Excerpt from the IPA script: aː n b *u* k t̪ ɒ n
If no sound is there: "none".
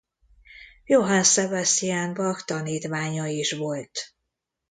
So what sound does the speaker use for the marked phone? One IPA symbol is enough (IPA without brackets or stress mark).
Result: ɒ